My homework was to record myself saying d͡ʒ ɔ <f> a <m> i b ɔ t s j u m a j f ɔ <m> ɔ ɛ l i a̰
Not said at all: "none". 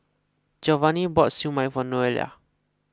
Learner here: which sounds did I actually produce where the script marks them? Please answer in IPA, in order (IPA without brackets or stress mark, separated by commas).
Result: v, n, n